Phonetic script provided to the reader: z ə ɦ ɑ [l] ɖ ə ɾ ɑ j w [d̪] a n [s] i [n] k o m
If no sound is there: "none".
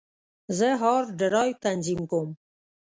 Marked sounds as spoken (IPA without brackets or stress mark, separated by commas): ɾ, t̪, z, m